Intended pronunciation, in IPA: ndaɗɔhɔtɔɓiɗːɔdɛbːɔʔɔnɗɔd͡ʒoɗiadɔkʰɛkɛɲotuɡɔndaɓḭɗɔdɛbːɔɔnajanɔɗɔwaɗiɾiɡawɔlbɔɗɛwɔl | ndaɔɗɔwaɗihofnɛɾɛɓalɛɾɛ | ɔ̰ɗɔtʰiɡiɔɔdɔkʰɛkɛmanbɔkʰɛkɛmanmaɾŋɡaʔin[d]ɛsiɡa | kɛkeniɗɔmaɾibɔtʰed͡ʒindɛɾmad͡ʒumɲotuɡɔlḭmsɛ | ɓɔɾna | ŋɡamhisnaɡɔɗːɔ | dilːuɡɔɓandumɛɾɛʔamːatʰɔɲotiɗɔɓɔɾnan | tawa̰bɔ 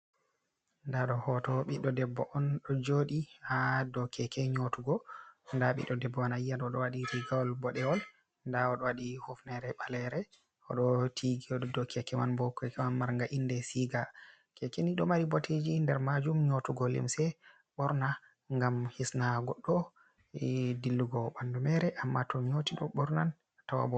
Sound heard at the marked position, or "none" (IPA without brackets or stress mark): d